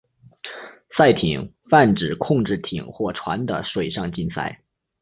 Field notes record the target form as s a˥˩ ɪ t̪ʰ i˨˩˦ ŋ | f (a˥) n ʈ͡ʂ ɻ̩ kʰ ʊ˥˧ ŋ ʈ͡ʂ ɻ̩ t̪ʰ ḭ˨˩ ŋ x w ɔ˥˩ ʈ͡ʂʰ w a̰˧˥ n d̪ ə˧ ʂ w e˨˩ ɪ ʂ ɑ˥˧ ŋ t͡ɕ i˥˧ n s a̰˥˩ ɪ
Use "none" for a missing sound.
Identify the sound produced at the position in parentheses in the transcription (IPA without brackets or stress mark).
a˥˩